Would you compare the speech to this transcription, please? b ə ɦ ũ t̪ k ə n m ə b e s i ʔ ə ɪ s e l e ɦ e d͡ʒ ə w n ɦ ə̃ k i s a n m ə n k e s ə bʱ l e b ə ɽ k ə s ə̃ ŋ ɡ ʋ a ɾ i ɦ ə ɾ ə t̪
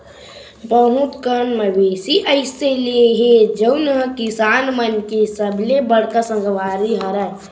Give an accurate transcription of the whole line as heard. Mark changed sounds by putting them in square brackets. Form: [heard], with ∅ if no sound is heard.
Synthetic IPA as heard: b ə ɦ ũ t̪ k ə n m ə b e s i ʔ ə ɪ s e l e ɦ e d͡ʒ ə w n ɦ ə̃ k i s a n m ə n k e s ə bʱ l e b ə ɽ k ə s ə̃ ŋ ɡ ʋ a ɾ i ɦ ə ɾ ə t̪